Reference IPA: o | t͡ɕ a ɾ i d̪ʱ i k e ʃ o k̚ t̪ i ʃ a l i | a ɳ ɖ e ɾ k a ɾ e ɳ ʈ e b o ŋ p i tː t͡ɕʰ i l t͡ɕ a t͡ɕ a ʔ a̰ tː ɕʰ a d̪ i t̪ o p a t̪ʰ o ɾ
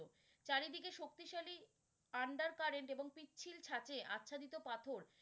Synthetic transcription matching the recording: o | t͡ɕ a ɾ i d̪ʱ i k e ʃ o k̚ t̪ i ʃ a l i | a ɳ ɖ a ɾ k a ɾ e ɳ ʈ e b o ŋ p i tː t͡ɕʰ i l t͡ɕʰ a t͡ɕ e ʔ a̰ tː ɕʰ a d̪ i t̪ o p a t̪ʰ o ɾ